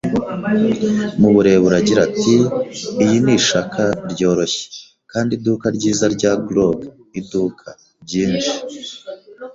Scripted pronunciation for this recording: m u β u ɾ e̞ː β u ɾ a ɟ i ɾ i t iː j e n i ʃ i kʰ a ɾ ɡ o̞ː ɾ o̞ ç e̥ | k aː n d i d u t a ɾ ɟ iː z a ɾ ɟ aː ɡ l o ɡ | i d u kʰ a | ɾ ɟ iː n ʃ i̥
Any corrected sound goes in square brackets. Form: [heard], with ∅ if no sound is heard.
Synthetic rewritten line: m u β u ɾ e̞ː β u ɾ a ɟ i ɾ [a] t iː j [i] n i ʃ [a] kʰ a ɾ [ɟ] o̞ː ɾ o̞ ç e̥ | k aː n d i d u [k] a ɾ ɟ iː z a ɾ ɟ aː ɡ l o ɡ | i d u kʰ a | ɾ ɟ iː n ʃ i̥